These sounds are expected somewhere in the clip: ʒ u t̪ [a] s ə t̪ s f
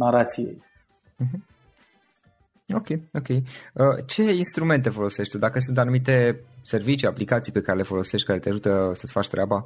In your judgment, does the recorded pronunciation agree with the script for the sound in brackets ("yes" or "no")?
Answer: no